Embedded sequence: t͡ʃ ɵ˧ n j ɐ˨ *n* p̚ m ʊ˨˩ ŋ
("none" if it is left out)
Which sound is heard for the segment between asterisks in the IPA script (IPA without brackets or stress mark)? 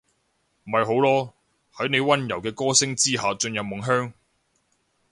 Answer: none